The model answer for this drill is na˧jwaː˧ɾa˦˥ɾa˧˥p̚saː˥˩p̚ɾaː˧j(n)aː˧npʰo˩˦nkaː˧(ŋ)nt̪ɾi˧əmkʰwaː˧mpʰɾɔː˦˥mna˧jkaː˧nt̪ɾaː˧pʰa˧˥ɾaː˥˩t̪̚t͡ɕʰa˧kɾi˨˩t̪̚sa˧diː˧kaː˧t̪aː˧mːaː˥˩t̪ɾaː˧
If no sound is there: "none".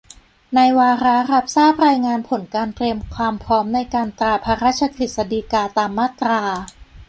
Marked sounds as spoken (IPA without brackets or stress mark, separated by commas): ŋ, none